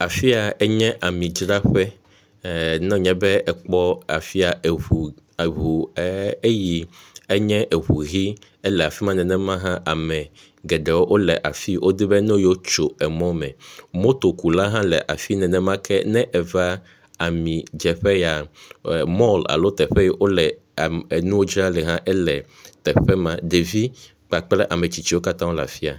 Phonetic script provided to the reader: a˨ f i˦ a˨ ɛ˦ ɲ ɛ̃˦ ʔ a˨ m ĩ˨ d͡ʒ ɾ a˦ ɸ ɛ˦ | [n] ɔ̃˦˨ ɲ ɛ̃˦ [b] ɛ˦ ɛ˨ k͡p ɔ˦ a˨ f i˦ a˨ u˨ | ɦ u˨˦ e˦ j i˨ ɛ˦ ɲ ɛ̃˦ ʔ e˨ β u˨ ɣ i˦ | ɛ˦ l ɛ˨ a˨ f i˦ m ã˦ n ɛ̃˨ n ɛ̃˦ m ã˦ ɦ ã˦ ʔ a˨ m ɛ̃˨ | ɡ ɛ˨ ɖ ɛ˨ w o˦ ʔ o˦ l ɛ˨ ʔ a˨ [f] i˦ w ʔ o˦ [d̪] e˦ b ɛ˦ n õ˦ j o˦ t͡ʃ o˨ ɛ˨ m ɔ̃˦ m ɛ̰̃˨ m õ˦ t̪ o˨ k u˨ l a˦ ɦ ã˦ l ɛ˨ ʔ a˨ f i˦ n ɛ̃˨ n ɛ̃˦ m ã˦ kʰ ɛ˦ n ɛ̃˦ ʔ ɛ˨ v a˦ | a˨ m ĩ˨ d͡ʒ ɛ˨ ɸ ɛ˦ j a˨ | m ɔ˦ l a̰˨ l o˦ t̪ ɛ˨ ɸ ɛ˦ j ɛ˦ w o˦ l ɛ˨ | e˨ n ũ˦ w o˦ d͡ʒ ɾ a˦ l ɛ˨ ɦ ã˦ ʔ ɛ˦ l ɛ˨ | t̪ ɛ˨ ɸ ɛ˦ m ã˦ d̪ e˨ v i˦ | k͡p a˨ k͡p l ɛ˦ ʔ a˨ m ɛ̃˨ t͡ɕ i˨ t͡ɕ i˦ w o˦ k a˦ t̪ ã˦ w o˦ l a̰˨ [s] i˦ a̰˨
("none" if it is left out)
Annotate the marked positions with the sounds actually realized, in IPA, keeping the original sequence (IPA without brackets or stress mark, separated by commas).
n, b, f, d̪, f